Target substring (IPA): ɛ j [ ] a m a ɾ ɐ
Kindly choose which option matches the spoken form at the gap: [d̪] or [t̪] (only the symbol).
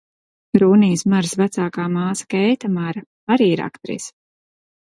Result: t̪